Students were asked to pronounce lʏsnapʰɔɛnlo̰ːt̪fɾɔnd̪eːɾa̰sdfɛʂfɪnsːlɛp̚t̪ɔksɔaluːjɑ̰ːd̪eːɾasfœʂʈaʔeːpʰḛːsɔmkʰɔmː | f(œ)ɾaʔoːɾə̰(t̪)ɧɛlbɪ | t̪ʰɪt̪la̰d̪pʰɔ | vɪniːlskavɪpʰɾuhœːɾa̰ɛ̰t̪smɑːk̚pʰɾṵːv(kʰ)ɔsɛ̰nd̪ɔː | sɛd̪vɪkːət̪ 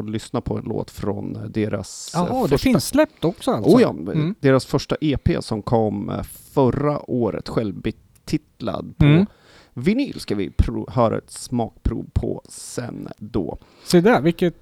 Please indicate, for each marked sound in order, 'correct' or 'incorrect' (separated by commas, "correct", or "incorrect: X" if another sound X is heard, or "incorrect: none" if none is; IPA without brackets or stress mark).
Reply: correct, correct, incorrect: pʰ